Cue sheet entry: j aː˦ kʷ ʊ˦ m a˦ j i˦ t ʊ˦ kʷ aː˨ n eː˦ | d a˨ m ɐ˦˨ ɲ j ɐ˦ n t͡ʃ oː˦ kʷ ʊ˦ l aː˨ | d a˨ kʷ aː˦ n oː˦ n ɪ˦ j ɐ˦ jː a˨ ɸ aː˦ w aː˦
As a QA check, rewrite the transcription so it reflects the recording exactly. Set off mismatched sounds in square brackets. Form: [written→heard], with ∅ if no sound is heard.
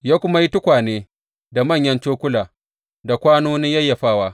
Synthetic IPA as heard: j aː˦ kʷ ʊ˦ m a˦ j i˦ t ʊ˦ kʷ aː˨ n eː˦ | d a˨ m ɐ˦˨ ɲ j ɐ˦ n t͡ʃ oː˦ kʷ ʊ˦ l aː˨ | d a˨ kʷ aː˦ n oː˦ n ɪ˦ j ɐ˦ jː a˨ ɸ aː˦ w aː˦